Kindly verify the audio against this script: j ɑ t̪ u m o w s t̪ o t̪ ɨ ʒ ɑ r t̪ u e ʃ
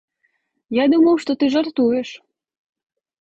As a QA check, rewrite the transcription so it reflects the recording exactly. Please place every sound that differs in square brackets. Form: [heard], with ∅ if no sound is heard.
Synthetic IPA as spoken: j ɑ [d̪] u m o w [ʃ] t̪ o t̪ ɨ ʒ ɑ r t̪ u e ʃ